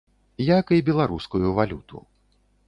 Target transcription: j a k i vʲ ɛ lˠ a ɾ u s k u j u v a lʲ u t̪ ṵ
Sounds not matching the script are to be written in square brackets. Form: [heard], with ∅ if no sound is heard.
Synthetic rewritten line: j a k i [bʲ] ɛ lˠ a ɾ u s k u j u v a lʲ u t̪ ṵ